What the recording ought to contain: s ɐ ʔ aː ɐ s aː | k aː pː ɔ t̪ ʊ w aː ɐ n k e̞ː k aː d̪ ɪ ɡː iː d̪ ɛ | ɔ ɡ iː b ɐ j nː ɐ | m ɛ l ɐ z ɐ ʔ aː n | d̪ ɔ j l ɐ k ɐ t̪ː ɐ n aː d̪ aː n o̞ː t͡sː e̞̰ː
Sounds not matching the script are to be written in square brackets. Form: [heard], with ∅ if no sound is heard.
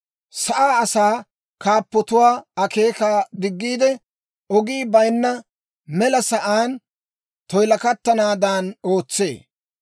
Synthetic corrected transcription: s ɐ ʔ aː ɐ s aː | k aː pː ɔ t̪ ʊ w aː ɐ [∅] k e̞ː k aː d̪ ɪ ɡː iː d̪ ɛ | ɔ ɡ iː b ɐ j nː ɐ | m ɛ l ɐ [s] ɐ ʔ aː n | [t̪] ɔ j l ɐ k ɐ t̪ː ɐ n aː d̪ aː n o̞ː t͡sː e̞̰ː